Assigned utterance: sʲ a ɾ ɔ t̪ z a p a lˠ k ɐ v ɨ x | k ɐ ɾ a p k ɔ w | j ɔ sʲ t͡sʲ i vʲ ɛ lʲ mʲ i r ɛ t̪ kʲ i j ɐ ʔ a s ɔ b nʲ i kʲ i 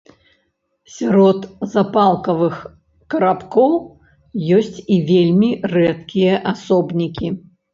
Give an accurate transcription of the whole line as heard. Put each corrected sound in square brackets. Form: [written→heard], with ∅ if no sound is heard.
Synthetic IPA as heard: sʲ a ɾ ɔ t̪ z a p a lˠ k ɐ v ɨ x | k ɐ ɾ a p k ɔ w | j ɔ sʲ t͡sʲ i vʲ [ɛ→e] lʲ mʲ i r ɛ t̪ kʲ i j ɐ ʔ a s ɔ b nʲ i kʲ i